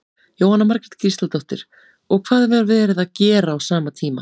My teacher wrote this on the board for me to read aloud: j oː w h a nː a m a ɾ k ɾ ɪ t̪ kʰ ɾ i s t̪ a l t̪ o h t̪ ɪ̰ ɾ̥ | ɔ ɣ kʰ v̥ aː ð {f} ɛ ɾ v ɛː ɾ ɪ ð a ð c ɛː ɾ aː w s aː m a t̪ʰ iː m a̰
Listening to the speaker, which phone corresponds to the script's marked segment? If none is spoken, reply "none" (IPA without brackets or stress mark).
v